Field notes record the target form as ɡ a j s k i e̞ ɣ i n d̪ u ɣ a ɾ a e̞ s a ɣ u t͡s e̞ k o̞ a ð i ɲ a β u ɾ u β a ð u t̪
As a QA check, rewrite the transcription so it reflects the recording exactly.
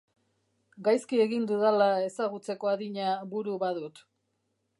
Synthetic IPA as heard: ɡ a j s k i e̞ ɣ i n d̪ u ð a l a e̞ s a ɣ u t͡s e̞ k o̞ a ð i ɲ a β u ɾ u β a ð u t̪